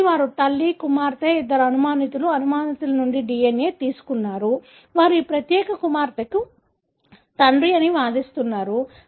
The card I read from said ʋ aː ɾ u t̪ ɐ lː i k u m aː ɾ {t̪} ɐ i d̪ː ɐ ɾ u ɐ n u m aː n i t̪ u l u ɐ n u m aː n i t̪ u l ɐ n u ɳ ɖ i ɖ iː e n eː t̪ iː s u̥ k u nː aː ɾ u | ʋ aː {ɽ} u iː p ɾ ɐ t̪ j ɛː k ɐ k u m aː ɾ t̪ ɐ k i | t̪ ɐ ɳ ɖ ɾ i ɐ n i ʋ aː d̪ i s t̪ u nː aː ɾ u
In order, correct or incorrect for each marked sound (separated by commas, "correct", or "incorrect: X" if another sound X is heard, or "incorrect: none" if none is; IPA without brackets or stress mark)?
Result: correct, incorrect: ɾ